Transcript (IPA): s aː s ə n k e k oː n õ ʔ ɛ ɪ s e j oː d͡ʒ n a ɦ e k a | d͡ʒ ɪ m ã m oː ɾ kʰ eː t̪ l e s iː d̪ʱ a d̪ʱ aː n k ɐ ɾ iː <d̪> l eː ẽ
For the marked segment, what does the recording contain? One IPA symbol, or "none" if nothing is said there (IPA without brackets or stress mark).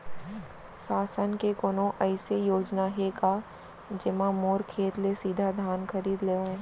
d̪